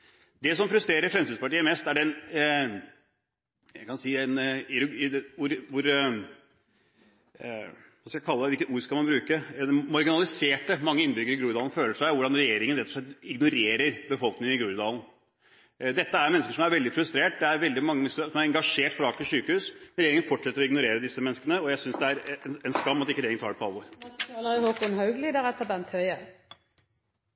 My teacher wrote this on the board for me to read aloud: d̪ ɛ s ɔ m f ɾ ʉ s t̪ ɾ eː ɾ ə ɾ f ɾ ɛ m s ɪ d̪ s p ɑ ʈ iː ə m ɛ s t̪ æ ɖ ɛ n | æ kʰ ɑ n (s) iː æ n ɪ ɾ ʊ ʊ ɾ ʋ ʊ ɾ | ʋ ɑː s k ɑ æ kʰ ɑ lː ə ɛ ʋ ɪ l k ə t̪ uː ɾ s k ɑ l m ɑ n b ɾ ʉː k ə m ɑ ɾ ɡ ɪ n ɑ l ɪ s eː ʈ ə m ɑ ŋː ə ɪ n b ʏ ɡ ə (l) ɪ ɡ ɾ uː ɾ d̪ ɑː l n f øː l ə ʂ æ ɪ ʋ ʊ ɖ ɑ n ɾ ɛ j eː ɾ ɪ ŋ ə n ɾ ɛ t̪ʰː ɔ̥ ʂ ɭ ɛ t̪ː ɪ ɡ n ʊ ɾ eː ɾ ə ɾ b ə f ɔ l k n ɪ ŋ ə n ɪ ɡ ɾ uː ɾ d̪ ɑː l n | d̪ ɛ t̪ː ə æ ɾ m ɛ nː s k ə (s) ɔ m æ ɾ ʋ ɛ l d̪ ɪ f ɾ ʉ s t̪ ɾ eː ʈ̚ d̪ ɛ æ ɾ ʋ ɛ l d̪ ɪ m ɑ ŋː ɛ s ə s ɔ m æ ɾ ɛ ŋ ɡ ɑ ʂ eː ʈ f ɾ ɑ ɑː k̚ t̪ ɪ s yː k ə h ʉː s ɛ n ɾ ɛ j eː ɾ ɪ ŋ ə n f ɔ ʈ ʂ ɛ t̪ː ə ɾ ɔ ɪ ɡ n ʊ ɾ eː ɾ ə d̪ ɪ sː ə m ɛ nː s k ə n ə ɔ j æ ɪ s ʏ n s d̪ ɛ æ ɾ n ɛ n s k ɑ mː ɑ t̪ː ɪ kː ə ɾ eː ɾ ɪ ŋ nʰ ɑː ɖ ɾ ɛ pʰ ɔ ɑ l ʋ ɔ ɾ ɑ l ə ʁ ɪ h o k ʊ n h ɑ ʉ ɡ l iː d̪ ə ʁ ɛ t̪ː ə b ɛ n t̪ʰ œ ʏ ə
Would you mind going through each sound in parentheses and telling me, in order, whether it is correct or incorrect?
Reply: correct, incorrect: ɾ, incorrect: ʂ

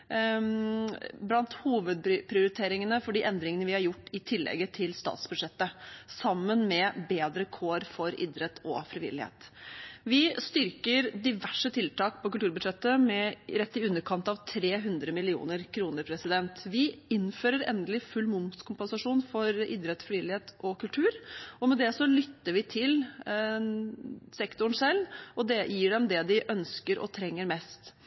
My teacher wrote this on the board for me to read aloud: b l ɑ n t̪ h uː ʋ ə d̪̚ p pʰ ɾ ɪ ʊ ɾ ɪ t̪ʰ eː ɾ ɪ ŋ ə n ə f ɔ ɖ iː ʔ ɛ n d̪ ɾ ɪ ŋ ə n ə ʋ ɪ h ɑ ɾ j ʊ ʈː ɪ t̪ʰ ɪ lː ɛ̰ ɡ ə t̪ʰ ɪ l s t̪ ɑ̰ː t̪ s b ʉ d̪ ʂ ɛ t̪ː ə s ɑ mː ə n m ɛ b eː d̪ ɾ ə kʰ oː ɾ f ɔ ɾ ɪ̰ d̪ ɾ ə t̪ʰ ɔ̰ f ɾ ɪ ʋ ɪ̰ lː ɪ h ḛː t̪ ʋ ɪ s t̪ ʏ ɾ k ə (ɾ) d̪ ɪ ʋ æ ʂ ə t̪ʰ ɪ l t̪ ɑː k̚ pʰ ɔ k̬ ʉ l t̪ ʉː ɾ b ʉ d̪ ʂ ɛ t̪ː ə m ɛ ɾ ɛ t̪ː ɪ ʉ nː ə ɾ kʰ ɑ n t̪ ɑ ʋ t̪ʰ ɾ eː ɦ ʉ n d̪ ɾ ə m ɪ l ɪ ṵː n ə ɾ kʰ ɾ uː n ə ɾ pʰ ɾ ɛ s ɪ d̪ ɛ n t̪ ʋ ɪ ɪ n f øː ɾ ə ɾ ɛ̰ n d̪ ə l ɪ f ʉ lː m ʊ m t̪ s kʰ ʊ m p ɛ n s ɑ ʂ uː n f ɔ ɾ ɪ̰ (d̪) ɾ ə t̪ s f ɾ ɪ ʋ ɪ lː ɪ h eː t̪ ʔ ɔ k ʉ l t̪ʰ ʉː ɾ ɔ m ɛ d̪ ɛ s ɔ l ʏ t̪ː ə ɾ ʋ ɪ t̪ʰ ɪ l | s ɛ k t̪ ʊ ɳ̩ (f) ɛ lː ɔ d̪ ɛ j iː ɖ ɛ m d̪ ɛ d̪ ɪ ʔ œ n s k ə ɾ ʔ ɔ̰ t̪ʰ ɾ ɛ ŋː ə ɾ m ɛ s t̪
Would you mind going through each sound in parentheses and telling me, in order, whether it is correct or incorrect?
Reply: correct, correct, incorrect: s

